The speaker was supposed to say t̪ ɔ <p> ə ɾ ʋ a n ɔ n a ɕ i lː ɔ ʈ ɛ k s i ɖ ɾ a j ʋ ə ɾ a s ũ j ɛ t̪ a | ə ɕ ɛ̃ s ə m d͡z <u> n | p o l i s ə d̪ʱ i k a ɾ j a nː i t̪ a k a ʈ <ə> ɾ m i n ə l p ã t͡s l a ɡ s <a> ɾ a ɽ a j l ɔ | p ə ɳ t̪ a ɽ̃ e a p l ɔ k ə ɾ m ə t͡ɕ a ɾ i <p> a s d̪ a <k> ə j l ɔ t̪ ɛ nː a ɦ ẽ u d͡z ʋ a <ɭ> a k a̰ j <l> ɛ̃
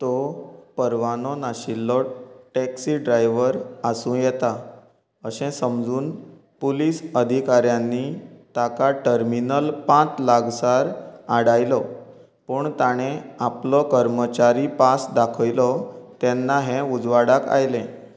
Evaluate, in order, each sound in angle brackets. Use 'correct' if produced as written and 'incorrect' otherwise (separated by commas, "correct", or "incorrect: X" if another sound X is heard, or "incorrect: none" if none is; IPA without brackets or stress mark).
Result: correct, incorrect: uː, correct, correct, correct, incorrect: kʰ, incorrect: ɽ, correct